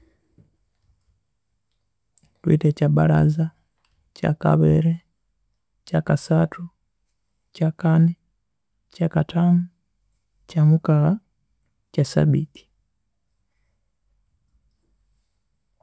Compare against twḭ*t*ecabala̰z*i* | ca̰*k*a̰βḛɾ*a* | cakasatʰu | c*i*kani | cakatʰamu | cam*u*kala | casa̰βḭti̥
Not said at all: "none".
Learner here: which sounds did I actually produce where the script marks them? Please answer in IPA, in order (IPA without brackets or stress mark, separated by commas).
t, a, k, e, a, u